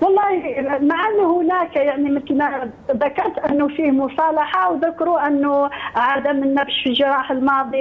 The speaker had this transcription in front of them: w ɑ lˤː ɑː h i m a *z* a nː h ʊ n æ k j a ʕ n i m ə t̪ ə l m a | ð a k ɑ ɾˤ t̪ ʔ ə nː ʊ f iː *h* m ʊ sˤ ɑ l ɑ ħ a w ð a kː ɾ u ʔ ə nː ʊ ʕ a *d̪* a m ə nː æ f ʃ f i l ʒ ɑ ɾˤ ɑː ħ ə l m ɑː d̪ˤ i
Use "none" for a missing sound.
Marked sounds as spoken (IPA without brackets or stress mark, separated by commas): ʕ, h, d̪